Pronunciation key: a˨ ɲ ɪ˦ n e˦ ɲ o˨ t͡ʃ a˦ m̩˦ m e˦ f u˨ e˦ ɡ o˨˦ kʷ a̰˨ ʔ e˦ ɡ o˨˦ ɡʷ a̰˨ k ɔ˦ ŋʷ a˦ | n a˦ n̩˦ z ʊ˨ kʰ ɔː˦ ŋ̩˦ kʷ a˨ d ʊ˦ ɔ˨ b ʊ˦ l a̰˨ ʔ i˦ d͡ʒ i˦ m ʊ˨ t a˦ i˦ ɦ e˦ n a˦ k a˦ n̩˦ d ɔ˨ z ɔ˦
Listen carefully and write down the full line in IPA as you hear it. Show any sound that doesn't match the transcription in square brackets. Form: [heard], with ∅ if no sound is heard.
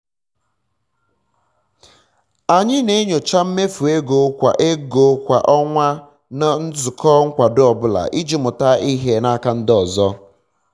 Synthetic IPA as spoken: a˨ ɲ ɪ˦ n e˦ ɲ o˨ t͡ʃ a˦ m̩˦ m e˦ f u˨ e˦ ɡ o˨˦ kʷ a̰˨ ʔ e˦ ɡ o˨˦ [kʷ] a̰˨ [ʔ] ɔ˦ ŋʷ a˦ | n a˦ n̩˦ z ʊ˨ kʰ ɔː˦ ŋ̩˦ kʷ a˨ d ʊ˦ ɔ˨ b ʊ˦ l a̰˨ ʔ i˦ d͡ʒ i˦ m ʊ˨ t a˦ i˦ ɦ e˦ n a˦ k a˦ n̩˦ d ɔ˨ z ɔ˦